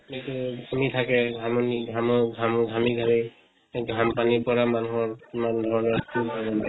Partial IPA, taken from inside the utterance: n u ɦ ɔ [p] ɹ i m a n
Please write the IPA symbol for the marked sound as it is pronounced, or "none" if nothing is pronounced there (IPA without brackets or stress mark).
none